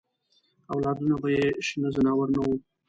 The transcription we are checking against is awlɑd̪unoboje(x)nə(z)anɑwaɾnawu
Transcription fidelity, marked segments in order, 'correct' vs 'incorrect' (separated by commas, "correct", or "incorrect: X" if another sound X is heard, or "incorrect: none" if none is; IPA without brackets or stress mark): incorrect: ʃ, correct